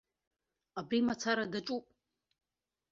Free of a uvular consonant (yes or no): yes